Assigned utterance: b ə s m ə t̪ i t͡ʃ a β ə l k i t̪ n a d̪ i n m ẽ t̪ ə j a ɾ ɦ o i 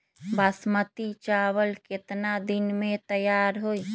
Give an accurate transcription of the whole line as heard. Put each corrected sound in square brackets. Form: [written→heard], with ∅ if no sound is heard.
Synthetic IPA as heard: b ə s m ə t̪ i t͡ʃ a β ə l k [i→e] t̪ n a d̪ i n m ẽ t̪ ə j a ɾ ɦ o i